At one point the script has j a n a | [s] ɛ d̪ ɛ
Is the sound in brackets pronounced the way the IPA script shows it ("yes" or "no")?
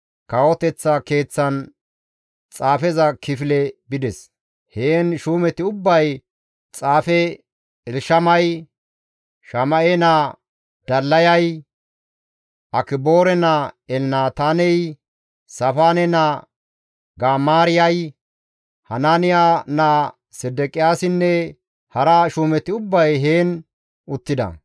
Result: yes